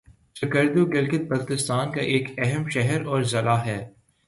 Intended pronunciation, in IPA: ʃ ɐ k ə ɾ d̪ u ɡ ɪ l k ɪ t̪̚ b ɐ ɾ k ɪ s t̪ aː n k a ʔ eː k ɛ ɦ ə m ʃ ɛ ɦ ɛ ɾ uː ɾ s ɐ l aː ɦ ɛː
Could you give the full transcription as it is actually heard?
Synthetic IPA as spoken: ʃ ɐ k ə ɾ d̪ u ɡ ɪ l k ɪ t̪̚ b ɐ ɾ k ɪ s t̪ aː n k a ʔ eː k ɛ ɦ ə m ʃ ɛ ɦ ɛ ɾ ɔː ɾ z ɐ l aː ɦ ɛː